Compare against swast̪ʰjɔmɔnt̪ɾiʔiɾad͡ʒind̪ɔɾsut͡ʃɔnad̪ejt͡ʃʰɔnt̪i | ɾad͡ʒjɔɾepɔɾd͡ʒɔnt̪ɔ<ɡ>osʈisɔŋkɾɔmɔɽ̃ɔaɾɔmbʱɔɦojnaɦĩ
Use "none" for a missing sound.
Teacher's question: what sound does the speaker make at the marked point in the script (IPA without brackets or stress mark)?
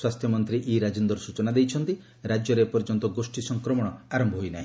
ɡ